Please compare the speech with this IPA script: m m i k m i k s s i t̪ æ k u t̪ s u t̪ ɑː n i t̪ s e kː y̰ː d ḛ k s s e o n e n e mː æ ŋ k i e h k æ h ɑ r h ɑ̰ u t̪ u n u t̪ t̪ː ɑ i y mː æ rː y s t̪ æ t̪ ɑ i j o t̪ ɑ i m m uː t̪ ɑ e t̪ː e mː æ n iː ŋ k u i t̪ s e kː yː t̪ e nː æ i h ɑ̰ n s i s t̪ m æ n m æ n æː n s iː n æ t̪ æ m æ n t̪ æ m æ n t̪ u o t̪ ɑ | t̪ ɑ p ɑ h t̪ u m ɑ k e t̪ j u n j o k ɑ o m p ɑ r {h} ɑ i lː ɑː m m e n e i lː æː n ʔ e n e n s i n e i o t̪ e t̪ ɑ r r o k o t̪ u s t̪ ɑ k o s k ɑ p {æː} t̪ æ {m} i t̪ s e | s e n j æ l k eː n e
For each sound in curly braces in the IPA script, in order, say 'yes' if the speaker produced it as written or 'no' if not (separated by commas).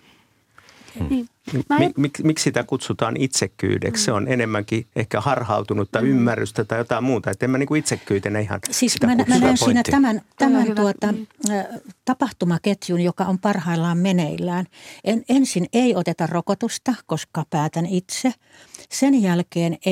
yes, yes, no